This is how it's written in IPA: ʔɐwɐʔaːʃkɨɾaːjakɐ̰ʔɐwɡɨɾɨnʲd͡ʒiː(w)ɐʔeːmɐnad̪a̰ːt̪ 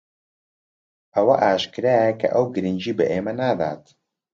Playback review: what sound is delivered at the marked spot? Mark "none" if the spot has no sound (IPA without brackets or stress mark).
b